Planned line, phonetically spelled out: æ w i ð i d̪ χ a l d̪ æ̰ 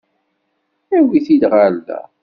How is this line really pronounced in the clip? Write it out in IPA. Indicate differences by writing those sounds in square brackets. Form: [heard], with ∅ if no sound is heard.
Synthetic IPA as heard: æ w i [θ] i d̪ [ʁ] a l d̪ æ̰